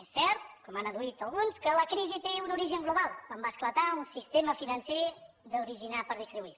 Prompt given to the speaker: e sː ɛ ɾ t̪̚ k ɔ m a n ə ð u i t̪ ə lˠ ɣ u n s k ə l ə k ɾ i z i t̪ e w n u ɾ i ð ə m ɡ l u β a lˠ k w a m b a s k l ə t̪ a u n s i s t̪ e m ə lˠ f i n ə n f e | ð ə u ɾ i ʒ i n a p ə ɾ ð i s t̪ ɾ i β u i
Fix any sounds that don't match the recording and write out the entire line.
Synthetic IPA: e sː ɛ ɾ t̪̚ k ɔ m a n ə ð u i t̪ ə lˠ ɣ u n s k ə l ə k ɾ i z i t̪ e u n u ɾ i ʒ ə ŋ ɡ l u β a lˠ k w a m b a s k l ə t̪ a u n s i s t̪ e m ə f i n ə n s e | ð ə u ɾ i ʒ i n a p ə ɾ ð i s t̪ ɾ i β u i